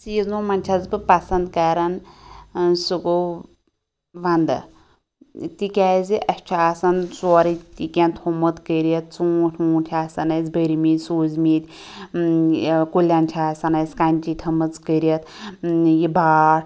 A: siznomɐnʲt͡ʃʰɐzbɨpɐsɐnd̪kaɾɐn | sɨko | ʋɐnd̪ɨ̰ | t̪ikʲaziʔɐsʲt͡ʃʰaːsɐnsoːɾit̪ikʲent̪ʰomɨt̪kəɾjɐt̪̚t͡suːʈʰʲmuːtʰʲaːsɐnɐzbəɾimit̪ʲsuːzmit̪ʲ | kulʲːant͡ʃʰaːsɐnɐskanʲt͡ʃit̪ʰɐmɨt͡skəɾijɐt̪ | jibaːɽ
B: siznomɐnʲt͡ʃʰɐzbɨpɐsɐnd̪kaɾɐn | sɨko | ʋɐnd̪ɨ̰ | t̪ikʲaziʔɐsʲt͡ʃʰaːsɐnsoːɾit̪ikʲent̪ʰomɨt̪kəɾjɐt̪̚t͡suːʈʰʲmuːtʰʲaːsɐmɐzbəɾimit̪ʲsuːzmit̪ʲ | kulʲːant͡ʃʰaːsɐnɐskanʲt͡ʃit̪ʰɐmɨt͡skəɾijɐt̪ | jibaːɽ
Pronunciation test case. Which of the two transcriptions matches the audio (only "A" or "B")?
A